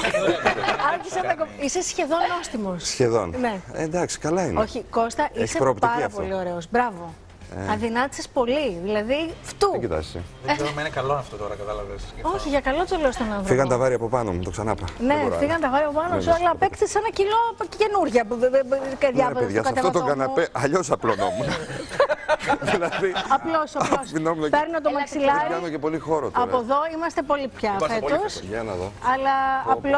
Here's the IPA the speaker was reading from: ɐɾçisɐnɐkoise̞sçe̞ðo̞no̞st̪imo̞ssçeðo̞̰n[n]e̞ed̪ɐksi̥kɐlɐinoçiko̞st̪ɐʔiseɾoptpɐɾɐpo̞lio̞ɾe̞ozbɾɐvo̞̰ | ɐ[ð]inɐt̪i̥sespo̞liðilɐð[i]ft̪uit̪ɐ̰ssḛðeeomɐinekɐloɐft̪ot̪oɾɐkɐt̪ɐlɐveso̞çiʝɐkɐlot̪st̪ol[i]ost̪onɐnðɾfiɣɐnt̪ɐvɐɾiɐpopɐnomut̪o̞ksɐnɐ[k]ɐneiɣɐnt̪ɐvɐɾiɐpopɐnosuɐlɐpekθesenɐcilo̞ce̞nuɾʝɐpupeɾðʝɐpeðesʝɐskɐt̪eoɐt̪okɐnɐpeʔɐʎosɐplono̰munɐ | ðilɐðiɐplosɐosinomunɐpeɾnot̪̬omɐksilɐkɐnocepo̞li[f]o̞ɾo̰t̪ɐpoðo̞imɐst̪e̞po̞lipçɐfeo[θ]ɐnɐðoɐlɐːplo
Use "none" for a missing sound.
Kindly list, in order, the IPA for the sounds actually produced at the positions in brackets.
n, ð, i, e, p, x, s

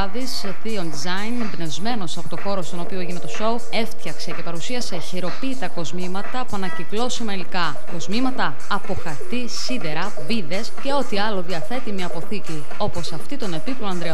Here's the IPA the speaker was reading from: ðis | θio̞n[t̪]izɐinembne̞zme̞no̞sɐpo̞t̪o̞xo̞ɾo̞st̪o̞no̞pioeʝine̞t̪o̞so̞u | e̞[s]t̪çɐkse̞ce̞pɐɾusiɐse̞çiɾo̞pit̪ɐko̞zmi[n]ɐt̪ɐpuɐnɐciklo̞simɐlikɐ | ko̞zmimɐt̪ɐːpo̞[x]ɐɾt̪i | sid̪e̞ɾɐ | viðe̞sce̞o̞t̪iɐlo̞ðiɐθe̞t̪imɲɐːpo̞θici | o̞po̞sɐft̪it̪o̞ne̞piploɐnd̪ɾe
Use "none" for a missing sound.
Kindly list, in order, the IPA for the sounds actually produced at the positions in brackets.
d̪, f, m, x

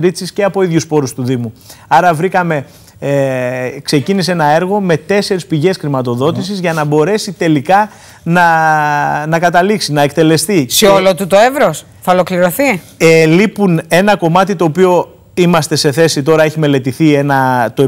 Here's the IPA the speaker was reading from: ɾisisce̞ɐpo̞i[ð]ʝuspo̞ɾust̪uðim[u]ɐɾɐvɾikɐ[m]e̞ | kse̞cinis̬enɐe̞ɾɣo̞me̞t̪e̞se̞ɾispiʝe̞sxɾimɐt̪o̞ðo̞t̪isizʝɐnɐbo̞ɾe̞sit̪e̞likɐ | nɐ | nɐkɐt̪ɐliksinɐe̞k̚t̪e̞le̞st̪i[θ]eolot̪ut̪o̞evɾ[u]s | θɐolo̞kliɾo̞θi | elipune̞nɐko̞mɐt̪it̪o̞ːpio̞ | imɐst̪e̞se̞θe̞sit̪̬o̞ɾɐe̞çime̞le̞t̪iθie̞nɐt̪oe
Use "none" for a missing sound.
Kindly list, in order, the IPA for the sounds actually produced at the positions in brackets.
ð, u, m, s, o

